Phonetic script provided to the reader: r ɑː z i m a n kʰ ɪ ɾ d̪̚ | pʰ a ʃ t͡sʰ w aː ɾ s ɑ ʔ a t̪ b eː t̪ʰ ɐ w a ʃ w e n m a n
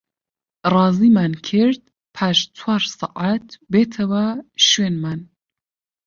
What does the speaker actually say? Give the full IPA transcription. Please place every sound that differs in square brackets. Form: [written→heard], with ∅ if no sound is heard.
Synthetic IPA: r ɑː z i m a n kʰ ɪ ɾ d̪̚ | pʰ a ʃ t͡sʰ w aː ɾ s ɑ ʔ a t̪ b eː t̪ʰ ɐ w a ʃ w e n m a n